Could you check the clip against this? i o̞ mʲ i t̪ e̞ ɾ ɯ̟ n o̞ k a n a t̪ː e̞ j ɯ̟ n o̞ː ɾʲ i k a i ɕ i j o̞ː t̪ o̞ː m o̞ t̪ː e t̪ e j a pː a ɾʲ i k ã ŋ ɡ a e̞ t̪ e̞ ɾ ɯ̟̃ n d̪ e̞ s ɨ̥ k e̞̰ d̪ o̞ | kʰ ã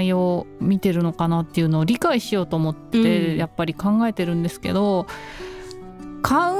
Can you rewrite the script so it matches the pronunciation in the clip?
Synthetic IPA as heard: i o̞ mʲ i t̪ e̞ ɾ ɯ̟ n o̞ k a n a t̪ː e̞ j ɯ̟ n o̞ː ɾʲ i k a i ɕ i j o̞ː t̪ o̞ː m o̞ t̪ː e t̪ e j a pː a ɾʲ i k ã ŋ ɡ a e̞ t̪ e̞ ɾ ɯ̟̃ n d̪ e̞ s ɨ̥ k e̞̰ d̪ o̞ | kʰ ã